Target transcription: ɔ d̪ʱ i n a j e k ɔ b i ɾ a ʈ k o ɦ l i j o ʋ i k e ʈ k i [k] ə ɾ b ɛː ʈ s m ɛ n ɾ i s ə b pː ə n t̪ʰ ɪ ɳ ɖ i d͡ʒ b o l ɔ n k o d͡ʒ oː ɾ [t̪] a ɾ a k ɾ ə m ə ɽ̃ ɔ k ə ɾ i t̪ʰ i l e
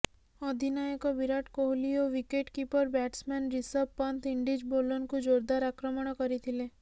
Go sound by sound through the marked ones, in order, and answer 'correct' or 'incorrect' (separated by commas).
incorrect, incorrect